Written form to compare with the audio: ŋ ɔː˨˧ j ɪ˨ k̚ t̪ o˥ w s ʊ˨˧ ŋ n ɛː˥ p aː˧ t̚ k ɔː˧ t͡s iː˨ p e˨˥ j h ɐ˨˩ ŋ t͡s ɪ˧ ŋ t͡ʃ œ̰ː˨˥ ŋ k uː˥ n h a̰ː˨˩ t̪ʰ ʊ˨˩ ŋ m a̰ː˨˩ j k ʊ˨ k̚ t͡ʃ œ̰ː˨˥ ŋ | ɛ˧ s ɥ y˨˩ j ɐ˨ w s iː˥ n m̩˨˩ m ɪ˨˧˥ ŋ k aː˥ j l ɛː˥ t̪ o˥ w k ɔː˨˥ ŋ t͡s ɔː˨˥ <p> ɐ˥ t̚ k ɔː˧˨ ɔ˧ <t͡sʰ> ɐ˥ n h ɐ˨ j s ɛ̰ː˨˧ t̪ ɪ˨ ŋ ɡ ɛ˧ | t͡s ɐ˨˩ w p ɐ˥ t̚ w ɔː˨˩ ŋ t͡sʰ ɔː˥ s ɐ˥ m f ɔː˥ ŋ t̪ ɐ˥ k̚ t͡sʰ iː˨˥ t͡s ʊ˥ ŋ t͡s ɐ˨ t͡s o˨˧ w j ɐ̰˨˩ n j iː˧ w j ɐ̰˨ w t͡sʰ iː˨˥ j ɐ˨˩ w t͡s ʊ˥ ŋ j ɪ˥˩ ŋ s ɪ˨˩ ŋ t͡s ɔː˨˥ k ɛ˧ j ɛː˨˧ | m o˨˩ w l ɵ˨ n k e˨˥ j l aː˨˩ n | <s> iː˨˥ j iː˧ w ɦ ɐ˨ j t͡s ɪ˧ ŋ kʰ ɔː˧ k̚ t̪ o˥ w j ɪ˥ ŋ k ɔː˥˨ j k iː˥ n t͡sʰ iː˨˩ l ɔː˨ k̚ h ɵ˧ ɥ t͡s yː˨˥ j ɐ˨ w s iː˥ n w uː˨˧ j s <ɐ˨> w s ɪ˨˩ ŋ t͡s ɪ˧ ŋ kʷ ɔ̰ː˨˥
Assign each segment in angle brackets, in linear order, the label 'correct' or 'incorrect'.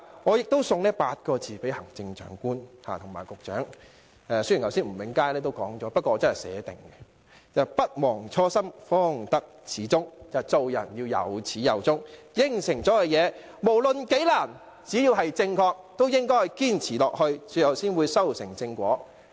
correct, incorrect, incorrect, incorrect

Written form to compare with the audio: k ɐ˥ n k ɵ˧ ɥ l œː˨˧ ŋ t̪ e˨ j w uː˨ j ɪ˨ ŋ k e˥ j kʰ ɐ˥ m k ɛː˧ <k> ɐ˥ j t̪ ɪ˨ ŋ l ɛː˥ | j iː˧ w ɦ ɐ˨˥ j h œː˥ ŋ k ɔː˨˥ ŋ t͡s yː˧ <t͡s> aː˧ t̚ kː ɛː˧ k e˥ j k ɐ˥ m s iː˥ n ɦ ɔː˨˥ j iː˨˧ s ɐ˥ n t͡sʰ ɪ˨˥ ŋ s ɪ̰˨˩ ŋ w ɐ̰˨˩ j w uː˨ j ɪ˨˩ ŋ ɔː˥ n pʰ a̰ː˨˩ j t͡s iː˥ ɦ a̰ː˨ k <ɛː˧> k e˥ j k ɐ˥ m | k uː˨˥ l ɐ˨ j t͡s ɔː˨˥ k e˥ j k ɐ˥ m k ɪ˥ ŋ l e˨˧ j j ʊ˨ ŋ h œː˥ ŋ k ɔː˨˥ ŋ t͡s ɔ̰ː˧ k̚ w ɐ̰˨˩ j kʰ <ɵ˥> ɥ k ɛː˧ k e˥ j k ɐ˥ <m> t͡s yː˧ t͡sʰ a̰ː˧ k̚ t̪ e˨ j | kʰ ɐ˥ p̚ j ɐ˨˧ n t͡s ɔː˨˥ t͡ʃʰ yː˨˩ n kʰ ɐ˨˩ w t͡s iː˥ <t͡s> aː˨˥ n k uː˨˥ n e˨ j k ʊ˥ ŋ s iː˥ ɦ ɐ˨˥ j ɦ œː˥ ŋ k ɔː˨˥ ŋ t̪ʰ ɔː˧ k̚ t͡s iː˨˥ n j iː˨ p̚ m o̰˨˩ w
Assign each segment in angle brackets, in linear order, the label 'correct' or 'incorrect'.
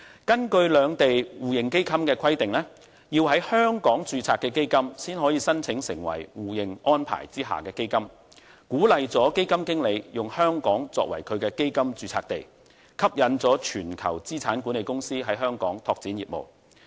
incorrect, incorrect, correct, incorrect, correct, incorrect

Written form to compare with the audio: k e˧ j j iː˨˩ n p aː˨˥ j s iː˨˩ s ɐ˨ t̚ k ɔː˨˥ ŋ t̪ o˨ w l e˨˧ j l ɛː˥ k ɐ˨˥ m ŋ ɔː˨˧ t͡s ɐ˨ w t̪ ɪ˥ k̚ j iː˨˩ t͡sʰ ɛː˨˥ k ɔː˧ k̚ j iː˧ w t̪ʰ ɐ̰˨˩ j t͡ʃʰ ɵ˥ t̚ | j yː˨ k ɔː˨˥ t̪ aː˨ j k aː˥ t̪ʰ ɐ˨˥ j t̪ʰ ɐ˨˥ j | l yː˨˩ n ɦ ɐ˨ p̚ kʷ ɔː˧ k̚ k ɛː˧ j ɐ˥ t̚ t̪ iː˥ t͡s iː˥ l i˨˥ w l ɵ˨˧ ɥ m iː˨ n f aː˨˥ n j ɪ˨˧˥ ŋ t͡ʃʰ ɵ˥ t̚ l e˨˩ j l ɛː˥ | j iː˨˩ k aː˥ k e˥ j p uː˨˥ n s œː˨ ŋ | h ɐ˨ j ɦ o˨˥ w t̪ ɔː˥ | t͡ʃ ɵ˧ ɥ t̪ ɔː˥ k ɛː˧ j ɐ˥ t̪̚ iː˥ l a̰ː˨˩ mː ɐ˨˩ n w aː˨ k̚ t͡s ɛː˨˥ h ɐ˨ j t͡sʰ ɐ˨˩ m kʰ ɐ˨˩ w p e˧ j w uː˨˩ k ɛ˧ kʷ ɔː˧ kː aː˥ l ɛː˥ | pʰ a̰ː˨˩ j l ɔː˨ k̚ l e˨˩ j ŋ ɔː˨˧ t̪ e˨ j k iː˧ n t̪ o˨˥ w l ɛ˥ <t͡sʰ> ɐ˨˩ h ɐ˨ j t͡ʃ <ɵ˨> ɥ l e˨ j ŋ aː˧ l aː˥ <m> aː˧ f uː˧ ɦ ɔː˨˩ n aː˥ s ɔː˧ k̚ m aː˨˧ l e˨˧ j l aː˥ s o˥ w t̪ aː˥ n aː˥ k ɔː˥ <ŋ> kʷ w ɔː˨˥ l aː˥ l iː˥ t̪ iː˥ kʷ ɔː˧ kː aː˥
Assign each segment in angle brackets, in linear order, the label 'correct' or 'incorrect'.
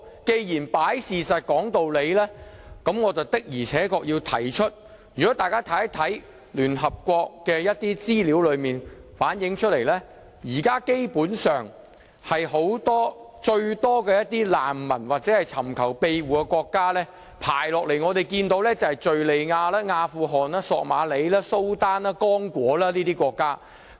incorrect, correct, incorrect, correct

